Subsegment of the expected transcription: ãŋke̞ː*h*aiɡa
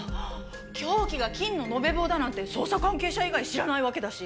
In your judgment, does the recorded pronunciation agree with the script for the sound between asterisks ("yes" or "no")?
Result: no